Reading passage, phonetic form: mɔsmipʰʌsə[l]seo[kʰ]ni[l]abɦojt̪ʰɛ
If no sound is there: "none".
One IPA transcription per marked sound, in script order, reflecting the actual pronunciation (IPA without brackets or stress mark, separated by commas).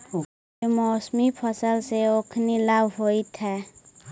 l, kʰ, l